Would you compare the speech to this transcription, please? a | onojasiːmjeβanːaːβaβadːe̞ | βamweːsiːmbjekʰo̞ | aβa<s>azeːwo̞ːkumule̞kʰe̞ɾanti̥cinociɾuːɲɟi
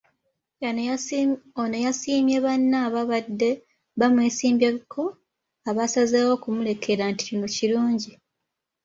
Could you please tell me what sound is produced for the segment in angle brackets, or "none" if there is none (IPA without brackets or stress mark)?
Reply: s